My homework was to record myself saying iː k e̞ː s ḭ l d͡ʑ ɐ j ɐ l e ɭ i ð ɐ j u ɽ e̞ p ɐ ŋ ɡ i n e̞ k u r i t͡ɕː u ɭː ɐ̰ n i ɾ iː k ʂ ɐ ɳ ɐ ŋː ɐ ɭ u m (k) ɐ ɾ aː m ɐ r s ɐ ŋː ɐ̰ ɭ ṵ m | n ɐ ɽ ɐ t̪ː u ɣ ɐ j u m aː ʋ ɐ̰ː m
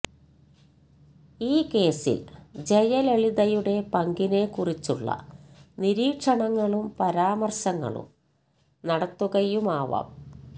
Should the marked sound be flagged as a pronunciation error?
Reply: yes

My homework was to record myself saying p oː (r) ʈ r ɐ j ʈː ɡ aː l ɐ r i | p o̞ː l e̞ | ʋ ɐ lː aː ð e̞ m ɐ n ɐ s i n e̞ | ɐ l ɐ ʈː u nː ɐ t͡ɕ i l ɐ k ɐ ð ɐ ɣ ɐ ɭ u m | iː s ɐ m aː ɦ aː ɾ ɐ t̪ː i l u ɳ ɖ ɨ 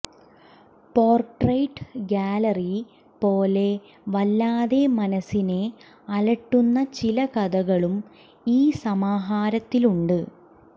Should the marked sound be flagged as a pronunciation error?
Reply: no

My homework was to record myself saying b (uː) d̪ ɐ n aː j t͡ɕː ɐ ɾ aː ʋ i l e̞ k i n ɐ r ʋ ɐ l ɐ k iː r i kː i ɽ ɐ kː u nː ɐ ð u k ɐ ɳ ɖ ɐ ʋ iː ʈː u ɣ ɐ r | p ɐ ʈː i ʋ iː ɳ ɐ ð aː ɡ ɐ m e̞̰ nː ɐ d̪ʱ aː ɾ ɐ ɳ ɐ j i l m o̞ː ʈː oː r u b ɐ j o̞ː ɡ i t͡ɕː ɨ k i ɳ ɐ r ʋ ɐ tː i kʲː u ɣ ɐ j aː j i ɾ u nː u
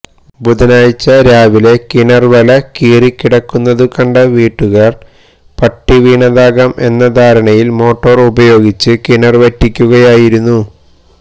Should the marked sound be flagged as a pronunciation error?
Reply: yes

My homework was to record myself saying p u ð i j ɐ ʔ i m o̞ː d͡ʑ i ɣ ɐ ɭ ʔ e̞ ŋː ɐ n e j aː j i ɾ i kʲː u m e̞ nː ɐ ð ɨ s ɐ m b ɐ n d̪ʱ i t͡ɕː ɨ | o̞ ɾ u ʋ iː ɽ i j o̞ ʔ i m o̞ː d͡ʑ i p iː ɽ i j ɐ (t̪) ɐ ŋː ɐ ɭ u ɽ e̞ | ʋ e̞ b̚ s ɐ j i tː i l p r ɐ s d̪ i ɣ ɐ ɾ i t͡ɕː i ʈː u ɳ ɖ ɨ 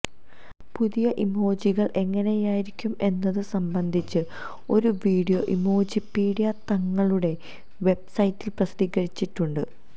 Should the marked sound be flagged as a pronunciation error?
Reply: no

